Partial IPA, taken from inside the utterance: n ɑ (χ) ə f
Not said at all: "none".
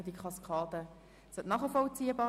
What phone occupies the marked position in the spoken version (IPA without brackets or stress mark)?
χ